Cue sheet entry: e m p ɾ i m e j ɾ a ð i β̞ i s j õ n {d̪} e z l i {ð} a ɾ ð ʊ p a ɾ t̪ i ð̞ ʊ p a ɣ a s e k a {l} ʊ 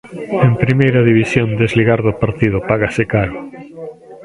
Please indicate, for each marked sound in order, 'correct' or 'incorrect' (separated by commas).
correct, incorrect, incorrect